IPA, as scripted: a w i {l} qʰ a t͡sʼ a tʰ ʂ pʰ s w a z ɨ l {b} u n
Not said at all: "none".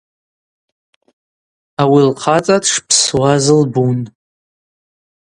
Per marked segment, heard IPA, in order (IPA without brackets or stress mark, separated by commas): l, b